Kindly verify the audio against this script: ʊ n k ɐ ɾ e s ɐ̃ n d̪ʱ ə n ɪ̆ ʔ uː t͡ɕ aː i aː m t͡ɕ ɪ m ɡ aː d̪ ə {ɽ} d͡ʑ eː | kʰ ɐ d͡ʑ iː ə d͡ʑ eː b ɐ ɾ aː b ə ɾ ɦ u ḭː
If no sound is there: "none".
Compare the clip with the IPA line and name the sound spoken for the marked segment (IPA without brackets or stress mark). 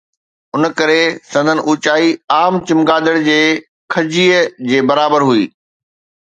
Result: ɽ